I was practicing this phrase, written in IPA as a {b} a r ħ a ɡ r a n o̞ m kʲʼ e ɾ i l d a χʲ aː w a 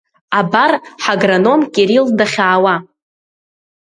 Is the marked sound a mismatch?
no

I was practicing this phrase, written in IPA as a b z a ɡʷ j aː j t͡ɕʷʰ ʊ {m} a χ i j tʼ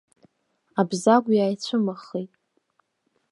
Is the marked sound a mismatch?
no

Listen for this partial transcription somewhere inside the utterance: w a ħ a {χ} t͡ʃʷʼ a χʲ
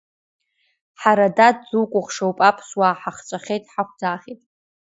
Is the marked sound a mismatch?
no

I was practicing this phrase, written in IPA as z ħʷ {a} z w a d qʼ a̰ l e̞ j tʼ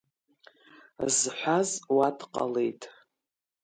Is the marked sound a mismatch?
no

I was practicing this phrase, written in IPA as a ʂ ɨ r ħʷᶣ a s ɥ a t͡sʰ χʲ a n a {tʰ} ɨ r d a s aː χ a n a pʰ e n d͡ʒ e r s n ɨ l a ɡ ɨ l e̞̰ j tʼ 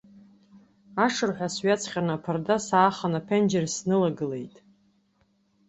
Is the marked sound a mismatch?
yes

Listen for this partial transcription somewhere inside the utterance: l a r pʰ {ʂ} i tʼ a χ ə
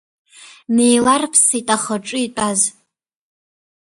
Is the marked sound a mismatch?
yes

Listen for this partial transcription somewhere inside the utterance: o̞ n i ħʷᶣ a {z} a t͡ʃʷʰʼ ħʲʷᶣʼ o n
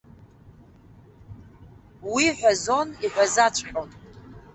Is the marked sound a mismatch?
no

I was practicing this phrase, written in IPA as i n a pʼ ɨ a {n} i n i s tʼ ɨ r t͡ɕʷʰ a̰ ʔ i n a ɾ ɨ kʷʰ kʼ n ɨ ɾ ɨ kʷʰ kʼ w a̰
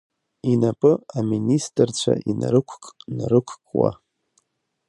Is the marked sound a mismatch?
yes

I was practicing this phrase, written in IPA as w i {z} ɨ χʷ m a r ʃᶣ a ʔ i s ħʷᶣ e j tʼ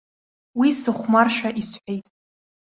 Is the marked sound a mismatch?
yes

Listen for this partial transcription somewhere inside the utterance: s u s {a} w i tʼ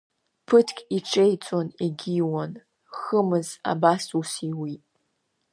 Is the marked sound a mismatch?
yes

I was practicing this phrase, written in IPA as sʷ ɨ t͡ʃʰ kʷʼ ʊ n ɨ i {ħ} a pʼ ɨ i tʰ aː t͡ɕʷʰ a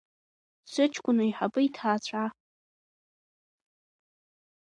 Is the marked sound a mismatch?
no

